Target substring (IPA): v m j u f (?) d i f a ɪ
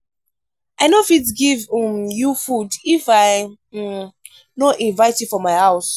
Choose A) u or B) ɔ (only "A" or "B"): A